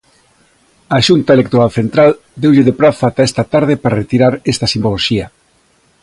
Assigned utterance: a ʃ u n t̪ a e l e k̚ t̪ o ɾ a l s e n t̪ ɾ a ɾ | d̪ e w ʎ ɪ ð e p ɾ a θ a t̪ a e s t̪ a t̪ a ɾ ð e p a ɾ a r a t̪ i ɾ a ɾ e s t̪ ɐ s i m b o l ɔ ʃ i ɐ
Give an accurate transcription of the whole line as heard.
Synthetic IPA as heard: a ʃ u n t̪ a e l e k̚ t̪ o ɾ a l θ e n t̪ ɾ a l | d̪ e w ʎ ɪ ð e p ɾ a θ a t̪ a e s t̪ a t̪ a ɾ ð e p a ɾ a r e t̪ i ɾ a ɾ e s t̪ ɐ s i m b o l o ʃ i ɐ